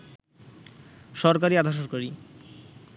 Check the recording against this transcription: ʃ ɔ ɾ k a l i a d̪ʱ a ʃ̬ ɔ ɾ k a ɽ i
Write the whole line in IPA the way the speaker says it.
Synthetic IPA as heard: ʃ ɔ ɾ k a ɾ i a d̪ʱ a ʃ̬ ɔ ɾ k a ɾ i